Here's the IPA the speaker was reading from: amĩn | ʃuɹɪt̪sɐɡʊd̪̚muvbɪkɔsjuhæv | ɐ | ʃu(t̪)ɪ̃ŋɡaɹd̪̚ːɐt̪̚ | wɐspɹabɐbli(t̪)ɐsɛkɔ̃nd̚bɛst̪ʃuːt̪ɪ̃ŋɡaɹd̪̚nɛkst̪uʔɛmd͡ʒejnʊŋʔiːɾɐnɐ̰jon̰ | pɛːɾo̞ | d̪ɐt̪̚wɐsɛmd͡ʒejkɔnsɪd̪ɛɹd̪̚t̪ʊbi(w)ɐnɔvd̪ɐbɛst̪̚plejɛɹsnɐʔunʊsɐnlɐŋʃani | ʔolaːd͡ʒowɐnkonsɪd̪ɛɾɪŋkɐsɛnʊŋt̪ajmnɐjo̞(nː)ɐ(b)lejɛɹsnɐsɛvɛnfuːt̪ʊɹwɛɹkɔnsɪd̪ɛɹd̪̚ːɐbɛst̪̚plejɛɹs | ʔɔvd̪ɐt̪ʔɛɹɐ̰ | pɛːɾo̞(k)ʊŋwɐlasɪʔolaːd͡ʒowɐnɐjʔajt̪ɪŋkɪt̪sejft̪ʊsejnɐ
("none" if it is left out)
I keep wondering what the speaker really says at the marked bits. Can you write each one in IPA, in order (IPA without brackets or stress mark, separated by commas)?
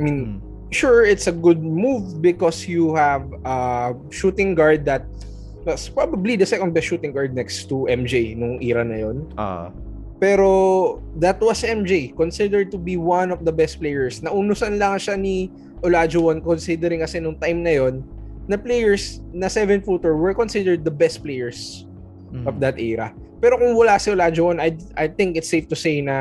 t̪, d̪, w, nː, p, k